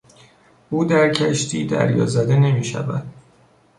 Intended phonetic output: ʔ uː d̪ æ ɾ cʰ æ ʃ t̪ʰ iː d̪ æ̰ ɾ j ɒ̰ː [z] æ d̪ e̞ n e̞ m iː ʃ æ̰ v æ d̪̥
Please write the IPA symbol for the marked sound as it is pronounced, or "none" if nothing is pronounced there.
z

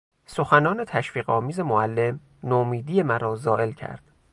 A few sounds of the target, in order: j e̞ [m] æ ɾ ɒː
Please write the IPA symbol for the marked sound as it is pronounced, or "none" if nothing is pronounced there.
m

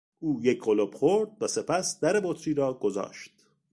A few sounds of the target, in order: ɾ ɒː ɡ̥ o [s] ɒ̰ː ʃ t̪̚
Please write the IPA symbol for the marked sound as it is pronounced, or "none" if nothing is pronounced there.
z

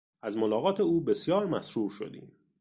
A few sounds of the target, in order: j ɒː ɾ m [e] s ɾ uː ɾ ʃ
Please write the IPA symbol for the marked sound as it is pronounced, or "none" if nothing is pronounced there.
æ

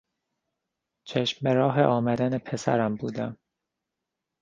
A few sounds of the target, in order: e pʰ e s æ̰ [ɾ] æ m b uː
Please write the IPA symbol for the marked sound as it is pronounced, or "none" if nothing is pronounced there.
ɾ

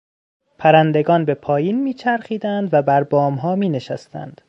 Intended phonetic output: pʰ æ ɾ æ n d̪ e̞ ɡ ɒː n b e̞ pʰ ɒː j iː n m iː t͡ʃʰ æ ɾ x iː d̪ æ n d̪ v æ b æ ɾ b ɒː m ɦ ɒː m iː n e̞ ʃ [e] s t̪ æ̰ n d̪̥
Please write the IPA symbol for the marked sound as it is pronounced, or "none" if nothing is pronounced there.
æ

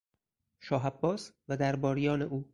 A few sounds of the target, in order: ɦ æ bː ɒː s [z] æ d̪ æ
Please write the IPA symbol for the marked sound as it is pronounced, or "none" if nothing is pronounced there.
v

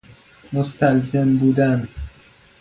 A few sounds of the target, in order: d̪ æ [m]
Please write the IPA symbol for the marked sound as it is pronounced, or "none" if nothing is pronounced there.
n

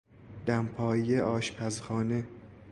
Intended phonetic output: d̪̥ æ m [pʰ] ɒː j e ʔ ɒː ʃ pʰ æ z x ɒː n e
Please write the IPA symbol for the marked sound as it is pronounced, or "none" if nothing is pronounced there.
pʰ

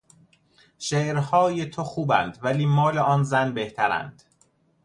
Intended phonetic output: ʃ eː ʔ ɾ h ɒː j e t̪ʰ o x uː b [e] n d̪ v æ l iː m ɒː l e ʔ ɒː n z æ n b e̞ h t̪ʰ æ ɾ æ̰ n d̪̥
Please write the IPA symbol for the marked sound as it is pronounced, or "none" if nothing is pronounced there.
æ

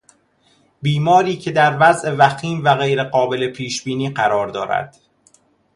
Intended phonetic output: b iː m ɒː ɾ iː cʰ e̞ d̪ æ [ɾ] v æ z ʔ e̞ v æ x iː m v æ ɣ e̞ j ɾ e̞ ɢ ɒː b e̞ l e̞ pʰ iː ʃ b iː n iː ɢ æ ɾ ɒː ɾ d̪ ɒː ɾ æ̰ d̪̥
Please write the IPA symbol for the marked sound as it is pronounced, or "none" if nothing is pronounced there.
ɾ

